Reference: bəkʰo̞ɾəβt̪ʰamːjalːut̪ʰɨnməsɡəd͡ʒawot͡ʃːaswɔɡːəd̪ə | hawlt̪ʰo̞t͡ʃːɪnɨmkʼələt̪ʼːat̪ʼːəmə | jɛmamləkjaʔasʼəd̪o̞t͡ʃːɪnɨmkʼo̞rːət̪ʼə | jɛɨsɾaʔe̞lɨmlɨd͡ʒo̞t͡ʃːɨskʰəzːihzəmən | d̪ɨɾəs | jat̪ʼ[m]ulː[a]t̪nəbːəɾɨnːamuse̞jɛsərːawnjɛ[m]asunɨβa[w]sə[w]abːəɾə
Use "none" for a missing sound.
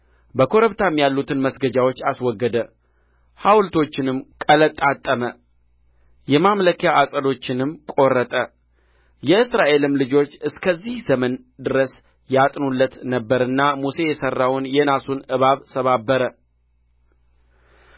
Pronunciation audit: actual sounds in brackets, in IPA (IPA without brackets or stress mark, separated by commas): n, ə, n, β, β